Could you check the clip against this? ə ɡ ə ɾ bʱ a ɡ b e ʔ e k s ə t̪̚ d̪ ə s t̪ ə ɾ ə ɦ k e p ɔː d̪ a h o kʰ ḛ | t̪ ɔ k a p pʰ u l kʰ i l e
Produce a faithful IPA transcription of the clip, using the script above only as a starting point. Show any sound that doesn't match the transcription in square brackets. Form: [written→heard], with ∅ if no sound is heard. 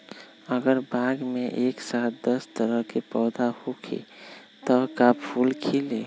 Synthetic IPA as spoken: ə ɡ ə ɾ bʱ a ɡ [b→m] e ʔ e k s [ə→a] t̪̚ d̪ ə s t̪ ə ɾ ə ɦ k e p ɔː d̪ a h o kʰ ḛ | t̪ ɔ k a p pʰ u l kʰ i l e